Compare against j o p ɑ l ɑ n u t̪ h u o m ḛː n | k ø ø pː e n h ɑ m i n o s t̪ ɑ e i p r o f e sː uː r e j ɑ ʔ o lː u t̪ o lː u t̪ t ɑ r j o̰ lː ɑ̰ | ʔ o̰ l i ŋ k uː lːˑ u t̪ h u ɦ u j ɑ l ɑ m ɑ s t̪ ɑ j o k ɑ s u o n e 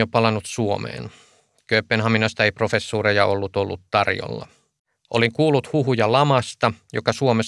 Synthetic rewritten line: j o p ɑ l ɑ n u t̪ s u o m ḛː n | k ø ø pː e n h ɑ m i n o s t̪ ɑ e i p r o f e sː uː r e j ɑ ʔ o lː u t̪ o lː u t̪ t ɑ r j o̰ lː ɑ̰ | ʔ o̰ l i ŋ k uː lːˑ u t̪ h u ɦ u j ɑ l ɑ m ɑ s t̪ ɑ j o k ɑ s u o m e